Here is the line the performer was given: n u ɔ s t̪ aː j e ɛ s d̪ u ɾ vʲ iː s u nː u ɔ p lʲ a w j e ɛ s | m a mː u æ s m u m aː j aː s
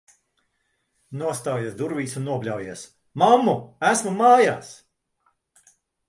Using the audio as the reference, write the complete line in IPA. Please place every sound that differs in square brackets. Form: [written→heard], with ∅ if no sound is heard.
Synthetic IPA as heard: n u ɔ s t̪ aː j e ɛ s d̪ u ɾ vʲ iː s u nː u ɔ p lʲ a w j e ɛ s | m a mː u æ s m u m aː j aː s